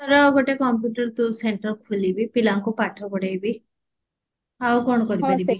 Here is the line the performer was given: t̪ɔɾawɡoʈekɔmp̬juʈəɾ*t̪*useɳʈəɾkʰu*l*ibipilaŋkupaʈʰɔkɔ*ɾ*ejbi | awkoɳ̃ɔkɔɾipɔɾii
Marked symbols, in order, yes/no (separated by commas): yes, yes, no